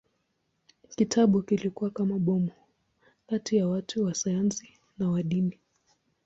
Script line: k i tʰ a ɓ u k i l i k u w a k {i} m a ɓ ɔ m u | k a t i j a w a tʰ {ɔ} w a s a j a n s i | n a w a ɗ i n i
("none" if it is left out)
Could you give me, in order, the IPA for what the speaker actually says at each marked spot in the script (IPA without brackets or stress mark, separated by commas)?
a, u